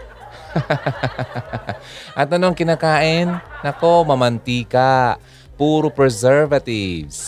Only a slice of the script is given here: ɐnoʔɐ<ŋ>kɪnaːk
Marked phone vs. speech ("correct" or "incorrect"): correct